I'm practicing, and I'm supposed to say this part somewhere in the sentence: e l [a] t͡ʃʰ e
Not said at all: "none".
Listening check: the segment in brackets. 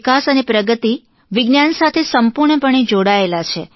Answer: a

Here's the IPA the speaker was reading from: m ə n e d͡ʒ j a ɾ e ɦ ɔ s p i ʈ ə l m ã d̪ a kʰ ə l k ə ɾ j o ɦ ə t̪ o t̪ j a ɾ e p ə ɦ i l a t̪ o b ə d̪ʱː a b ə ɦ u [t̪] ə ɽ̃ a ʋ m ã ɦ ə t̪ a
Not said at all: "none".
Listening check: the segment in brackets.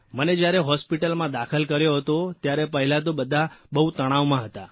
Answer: t̪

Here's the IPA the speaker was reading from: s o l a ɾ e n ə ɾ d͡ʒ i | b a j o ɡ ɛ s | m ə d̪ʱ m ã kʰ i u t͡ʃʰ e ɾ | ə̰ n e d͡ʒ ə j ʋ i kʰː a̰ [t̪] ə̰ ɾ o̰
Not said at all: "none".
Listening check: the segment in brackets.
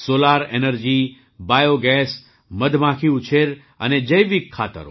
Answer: t̪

